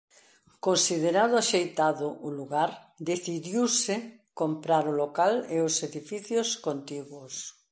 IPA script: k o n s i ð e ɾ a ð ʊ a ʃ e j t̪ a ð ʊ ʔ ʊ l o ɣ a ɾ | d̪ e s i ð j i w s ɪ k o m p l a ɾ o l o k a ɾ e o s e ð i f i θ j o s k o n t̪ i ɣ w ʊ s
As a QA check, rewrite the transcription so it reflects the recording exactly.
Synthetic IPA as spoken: k o n s i ð e ɾ a ð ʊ a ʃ e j t̪ a ð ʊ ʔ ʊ l u ɣ a ɾ | d̪ e θ i ð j i w s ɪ k o m p ɾ a ɾ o l o k a l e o s e ð i f i θ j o s k o n t̪ i ɣ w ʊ s